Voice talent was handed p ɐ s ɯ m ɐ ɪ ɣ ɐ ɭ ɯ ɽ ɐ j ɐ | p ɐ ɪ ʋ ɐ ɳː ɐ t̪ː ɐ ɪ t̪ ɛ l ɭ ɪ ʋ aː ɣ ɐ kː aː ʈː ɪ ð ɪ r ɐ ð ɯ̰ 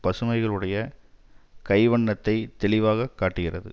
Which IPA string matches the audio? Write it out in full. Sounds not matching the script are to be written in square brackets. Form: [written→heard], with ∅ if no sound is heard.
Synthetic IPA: p ɐ s ɯ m ɐ ɪ ɣ ɐ ɭ ɯ ɽ ɐ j ɐ | [p→k] ɐ ɪ ʋ ɐ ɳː ɐ t̪ː ɐ ɪ t̪ ɛ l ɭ ɪ ʋ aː ɣ ɐ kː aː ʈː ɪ [ð→ɣ] ɪ r ɐ ð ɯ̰